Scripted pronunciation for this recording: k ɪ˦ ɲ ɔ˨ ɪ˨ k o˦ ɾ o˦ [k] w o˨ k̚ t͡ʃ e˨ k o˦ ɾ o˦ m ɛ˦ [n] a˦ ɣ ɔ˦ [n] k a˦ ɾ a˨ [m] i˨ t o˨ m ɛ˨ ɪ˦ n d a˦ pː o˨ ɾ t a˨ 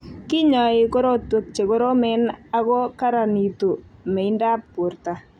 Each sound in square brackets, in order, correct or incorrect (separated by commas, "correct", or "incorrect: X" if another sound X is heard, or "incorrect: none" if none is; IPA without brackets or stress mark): incorrect: t, correct, incorrect: none, incorrect: n